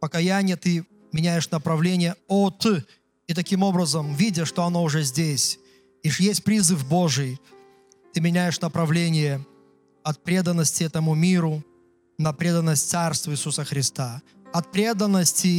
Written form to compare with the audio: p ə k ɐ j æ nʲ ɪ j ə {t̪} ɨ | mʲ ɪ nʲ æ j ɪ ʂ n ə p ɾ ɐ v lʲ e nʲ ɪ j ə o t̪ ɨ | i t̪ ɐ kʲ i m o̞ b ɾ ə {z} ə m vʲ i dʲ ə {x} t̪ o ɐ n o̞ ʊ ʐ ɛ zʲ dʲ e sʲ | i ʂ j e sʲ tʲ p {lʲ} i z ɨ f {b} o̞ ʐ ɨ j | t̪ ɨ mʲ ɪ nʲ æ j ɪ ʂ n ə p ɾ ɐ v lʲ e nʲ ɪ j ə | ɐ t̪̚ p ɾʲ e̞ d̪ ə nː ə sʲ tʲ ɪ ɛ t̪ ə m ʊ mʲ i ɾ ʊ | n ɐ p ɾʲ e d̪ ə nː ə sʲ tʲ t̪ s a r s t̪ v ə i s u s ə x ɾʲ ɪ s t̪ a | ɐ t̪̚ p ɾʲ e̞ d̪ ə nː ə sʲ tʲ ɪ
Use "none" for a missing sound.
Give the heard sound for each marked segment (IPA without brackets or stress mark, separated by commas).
t̪, z, ʂ, ɾʲ, b